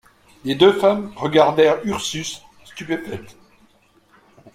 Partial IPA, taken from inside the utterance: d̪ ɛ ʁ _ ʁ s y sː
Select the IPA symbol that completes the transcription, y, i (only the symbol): y